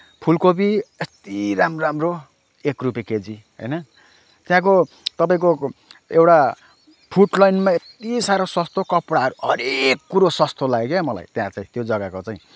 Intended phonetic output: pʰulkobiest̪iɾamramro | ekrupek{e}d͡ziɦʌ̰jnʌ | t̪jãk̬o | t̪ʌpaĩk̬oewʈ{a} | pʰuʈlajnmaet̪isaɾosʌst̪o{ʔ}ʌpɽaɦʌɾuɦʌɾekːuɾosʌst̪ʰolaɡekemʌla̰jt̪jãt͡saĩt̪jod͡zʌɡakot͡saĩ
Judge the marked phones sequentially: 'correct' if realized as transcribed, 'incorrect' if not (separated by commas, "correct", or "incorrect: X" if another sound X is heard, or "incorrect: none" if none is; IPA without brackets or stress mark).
correct, correct, incorrect: k